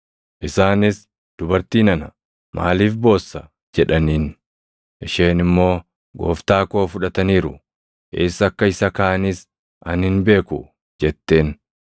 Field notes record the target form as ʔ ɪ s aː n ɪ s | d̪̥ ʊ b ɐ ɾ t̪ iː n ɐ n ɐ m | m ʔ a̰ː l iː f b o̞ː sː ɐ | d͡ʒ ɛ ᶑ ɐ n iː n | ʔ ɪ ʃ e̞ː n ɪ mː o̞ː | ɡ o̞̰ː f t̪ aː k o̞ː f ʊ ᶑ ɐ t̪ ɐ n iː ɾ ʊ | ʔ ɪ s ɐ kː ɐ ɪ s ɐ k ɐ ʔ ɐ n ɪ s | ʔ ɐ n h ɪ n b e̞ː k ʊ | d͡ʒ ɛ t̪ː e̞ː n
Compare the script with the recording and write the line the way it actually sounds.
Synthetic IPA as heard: ʔ ɪ s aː n ɪ s | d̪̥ ʊ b ɐ ɾ t̪ iː n ɐ n ɐ | m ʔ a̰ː l iː f b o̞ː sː ɐ | d͡ʒ ɛ ᶑ ɐ n iː n | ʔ ɪ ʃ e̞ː n ɪ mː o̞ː | ɡ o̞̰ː f t̪ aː k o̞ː f ʊ ᶑ ɐ t̪ ɐ n iː ɾ ʊ | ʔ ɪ s ɐ kː ɐ ɪ s ɐ k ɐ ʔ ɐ n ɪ s | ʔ ɐ n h ɪ n b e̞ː k ʊ | d͡ʒ ɛ t̪ː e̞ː n

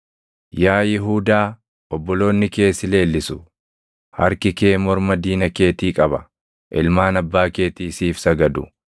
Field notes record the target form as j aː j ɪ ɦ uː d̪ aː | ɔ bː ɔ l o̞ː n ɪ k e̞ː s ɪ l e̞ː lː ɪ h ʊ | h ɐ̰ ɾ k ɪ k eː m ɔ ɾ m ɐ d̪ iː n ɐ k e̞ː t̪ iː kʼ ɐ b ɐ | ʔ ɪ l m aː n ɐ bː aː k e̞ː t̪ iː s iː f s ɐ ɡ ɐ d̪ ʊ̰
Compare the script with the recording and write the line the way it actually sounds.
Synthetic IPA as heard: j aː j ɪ ɦ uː d̪ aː | ɔ bː ɔ l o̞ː nː ɪ k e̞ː s ɪ l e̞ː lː ɪ s ʊ | h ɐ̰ ɾ k ɪ k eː m ɔ ɾ m ɐ d̪ iː n ɐ k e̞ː t̪ iː kʼ ɐ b ɐ | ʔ ɪ l m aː n ɐ bː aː k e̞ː t̪ iː s iː f s ɐ ɡ ɐ d̪ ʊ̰

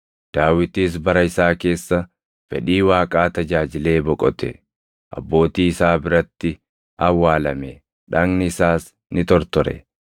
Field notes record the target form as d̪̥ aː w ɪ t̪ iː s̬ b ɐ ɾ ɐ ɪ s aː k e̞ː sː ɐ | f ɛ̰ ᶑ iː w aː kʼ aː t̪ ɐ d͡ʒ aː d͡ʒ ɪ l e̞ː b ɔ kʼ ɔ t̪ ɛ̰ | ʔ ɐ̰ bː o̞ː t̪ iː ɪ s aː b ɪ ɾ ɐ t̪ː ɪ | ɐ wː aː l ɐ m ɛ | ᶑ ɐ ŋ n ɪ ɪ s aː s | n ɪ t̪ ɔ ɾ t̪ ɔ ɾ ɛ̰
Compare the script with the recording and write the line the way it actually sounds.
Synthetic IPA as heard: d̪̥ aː w ɪ t̪ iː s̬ b ɐ ɾ ɐ ɪ s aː k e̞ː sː ɐ | f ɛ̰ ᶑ iː w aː kʼ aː t̪ ɐ d͡ʒ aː d͡ʒ ɪ l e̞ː b ɔ kʼ ɔ t̪ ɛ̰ | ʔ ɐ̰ bː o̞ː t̪ iː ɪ s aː b ɪ ɾ ɐ t̪ː ɪ | ɐ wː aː l ɐ m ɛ | ᶑ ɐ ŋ n ɪ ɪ s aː s | n ɪ t̪ ɔ ɾ t̪ ɔ ɾ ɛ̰

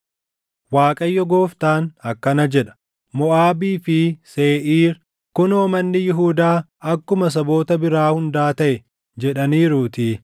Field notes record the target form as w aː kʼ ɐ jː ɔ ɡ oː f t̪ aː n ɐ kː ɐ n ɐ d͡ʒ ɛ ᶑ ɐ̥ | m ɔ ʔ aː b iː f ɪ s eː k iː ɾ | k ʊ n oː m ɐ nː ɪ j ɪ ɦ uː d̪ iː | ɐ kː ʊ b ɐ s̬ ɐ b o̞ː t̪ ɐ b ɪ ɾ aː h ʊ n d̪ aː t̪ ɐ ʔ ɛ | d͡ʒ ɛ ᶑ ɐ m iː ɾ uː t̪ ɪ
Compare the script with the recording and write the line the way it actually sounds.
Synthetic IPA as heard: w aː kʼ ɐ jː ɔ ɡ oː f t̪ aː n ɐ kː ɐ n ɐ d͡ʒ ɛ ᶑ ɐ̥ | m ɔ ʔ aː b iː f ɪ s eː ʔ iː ɾ | k ʊ n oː m ɐ nː ɪ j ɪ ɦ uː d̪ aː | ɐ kː ʊ m ɐ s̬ ɐ b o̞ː t̪ ɐ b ɪ ɾ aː h ʊ n d̪ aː t̪ ɐ ʔ ɛ | d͡ʒ ɛ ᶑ ɐ n iː ɾ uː t̪ ɪ

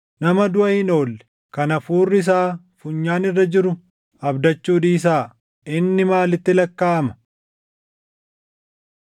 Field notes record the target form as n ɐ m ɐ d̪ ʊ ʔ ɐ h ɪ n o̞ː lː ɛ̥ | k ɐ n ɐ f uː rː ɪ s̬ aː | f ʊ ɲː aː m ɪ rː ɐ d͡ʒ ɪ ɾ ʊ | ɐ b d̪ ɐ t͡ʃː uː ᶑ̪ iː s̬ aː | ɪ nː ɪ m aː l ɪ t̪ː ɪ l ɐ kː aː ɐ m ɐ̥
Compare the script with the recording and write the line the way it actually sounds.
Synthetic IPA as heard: n ɐ m ɐ d̪ ʊ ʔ ɐ h ɪ n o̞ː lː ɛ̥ | k ɐ n ɐ f uː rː ɪ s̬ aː | f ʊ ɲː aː n ɪ rː ɐ d͡ʒ ɪ ɾ ʊ | ɐ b d̪ ɐ t͡ʃː uː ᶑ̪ iː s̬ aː | ɪ nː ɪ m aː l ɪ t̪ː ɪ l ɐ kː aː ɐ m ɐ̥

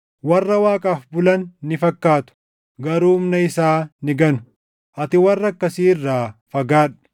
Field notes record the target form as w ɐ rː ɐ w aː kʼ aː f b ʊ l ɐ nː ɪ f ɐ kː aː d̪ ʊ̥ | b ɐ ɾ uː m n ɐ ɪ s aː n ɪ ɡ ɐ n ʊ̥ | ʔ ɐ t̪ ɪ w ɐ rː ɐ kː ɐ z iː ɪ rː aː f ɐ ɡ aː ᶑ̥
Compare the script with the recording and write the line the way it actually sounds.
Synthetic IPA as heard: w ɐ rː ɐ w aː kʼ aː f b ʊ l ɐ nː ɪ f ɐ kː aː t̪ ʊ̥ | ɡ ɐ ɾ uː m n ɐ ɪ s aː n ɪ ɡ ɐ n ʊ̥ | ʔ ɐ t̪ ɪ w ɐ rː ɐ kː ɐ s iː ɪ rː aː f ɐ ɡ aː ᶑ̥

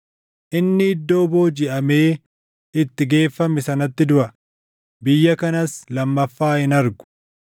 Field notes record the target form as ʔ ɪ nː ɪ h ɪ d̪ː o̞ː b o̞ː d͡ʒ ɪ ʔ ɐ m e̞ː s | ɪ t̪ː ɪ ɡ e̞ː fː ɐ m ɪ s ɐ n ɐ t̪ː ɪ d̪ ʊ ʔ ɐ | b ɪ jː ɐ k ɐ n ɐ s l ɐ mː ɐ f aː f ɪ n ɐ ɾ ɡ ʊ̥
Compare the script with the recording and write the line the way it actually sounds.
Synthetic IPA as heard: ʔ ɪ nː ɪ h ɪ d̪ː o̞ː b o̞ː d͡ʒ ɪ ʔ ɐ m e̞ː | ɪ t̪ː ɪ ɡ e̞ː fː ɐ m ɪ s ɐ n ɐ t̪ː ɪ d̪ ʊ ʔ ɐ | b ɪ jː ɐ k ɐ n ɐ s l ɐ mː ɐ fː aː h ɪ n ɐ ɾ ɡ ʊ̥

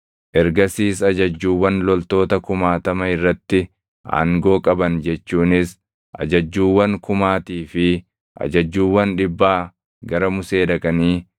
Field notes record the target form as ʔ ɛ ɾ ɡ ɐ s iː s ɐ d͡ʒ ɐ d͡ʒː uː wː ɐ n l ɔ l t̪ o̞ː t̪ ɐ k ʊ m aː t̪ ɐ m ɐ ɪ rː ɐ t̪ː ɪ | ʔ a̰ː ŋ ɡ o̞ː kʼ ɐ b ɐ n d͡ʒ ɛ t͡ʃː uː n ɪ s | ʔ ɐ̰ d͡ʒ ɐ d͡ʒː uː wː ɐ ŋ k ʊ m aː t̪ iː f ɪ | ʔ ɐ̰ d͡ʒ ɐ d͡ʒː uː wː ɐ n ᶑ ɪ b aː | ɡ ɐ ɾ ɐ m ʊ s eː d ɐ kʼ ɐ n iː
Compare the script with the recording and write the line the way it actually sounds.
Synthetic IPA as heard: ʔ ɛ ɾ ɡ ɐ s iː s ɐ d͡ʒ ɐ d͡ʒː uː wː ɐ n l ɔ l t̪ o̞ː t̪ ɐ k ʊ m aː t̪ ɐ m ɐ ɪ rː ɐ t̪ː ɪ | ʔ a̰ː ŋ ɡ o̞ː kʼ ɐ b ɐ n d͡ʒ ɛ t͡ʃː uː n ɪ s | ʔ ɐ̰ d͡ʒ ɐ d͡ʒː uː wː ɐ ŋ k ʊ m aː t̪ iː f ɪ | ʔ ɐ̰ d͡ʒ ɐ d͡ʒː uː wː ɐ n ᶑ ɪ bː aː | ɡ ɐ ɾ ɐ m ʊ s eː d ɐ kʼ ɐ n iː

